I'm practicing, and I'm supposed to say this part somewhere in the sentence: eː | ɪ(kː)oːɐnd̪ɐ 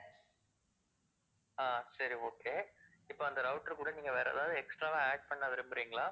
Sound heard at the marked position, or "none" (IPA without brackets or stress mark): pː